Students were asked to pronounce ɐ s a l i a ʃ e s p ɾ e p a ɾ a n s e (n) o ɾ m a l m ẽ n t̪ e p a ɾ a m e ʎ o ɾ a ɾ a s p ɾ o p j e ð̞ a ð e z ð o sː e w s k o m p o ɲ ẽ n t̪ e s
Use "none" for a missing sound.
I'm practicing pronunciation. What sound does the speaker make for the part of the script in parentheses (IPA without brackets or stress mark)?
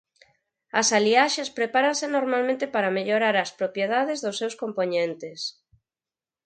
n